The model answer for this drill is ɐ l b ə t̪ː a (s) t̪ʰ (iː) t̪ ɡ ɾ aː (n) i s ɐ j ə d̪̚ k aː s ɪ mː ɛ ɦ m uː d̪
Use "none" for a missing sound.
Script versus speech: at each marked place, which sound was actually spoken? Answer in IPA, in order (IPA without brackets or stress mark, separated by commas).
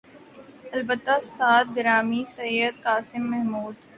s, aː, m